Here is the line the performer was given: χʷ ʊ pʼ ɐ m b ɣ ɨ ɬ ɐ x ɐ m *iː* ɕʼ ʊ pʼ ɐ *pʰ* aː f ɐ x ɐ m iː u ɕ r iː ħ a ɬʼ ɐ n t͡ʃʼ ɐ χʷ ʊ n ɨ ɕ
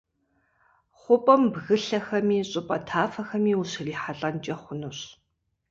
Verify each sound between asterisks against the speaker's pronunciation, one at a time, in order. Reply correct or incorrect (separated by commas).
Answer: correct, incorrect